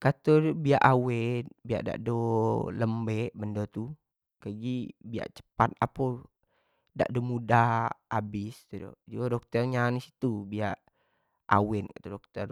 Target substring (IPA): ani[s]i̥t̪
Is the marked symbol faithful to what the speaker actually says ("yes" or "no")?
yes